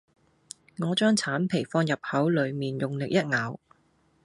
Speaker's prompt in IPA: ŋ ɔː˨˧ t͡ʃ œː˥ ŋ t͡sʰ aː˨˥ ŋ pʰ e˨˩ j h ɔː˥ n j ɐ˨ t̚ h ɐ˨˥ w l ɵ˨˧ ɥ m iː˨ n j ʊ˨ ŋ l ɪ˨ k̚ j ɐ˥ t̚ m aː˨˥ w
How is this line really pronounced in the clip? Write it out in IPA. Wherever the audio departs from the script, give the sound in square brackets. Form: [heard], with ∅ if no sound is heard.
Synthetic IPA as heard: ŋ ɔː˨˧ t͡ʃ œː˥ ŋ t͡sʰ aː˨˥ [n] pʰ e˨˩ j [f] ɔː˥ n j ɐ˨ [p̚] h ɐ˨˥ w l ɵ˨˧ ɥ m iː˨ n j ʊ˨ ŋ l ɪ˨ k̚ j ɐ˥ t̚ [ŋ] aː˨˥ w